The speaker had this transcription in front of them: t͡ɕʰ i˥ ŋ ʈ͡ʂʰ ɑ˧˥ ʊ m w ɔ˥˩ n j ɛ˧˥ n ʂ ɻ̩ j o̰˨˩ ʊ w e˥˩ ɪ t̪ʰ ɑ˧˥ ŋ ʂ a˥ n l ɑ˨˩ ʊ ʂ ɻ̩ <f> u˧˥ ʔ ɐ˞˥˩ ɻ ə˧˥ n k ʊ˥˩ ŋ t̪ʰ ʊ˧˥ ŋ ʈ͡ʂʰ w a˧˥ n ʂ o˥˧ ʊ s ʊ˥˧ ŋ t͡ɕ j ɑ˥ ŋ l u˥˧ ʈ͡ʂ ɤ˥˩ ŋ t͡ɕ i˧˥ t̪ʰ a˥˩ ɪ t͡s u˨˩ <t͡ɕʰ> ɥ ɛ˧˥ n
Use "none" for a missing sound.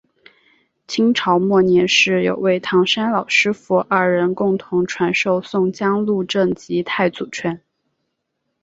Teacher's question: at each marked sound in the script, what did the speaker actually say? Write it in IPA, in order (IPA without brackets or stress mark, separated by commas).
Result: f, t͡ɕʰ